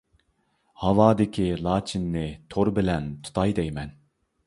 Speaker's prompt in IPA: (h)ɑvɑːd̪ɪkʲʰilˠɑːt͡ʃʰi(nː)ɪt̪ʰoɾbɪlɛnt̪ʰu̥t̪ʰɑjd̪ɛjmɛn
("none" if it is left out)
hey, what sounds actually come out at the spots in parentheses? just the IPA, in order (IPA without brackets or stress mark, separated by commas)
h, nː